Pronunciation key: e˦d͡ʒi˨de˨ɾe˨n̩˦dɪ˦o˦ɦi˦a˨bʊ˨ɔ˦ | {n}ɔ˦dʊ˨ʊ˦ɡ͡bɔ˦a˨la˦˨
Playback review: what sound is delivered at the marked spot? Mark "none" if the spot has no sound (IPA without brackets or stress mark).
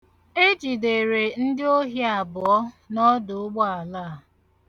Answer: n